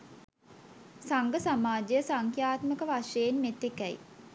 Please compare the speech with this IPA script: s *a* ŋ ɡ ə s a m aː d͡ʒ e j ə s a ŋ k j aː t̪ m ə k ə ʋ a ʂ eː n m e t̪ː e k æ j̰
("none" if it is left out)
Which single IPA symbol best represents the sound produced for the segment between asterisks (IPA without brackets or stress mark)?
a